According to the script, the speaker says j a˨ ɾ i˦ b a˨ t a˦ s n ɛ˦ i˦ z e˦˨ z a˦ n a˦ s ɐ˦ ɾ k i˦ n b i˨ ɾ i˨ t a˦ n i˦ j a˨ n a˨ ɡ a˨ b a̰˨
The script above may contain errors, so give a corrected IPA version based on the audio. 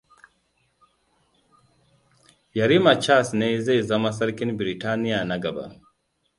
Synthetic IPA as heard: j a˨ ɾ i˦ m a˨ t͡ʃ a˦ s n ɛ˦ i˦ z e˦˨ z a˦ m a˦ s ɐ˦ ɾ k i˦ n b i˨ ɾ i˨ t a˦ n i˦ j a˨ n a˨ ɡ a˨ b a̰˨